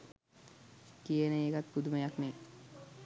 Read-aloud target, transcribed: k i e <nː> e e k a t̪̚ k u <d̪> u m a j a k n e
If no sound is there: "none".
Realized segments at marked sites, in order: n, d̪

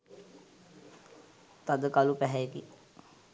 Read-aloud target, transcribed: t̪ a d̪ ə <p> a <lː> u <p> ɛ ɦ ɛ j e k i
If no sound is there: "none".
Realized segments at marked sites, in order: k, l, p

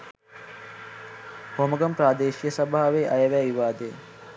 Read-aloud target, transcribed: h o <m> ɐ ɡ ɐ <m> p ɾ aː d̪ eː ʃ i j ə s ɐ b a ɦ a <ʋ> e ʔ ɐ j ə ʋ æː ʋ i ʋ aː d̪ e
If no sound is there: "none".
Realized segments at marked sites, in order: m, m, ʋ

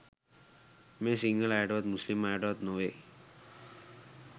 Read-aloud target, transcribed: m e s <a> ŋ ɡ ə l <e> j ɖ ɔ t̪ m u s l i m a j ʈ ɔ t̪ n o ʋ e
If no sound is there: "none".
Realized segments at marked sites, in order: i, a

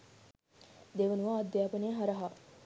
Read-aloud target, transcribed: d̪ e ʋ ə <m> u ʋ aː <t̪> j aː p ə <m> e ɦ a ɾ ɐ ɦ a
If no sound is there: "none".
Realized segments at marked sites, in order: n, d̪, n

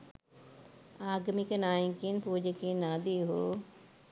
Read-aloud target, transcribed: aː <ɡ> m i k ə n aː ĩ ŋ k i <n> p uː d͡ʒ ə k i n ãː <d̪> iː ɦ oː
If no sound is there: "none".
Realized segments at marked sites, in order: ɡ, n, d̪

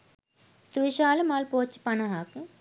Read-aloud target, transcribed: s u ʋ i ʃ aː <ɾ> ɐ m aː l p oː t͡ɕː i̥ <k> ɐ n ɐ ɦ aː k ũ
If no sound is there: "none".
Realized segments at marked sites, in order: l, p

